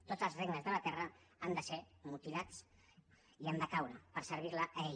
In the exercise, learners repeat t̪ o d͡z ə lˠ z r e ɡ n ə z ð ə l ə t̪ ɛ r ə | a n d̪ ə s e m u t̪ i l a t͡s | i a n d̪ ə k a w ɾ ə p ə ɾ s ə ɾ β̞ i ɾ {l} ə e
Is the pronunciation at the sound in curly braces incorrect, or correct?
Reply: correct